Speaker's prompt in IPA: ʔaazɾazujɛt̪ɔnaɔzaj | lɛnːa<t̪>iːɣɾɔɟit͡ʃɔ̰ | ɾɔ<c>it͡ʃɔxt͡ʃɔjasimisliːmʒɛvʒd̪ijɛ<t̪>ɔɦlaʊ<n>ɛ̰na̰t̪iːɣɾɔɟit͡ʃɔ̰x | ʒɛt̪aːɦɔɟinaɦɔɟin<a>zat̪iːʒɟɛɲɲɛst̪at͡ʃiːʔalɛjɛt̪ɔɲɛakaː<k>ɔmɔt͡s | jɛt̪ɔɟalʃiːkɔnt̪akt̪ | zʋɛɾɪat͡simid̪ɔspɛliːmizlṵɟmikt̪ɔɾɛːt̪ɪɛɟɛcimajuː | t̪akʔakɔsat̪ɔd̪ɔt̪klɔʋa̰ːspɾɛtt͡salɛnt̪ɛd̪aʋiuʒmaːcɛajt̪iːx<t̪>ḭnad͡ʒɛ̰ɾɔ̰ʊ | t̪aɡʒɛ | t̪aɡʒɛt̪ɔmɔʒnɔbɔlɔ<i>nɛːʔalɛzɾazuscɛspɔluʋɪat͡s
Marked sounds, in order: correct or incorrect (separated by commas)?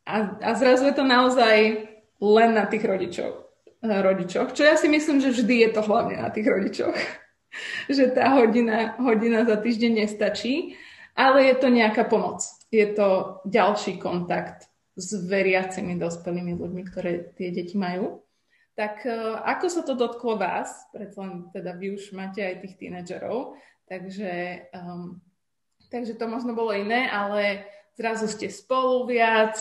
correct, incorrect, correct, incorrect, correct, incorrect, correct, correct